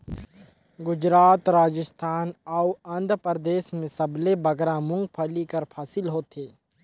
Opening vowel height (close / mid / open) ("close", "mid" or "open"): close